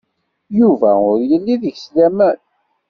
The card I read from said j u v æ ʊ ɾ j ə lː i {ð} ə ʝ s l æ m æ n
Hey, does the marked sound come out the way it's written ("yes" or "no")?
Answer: yes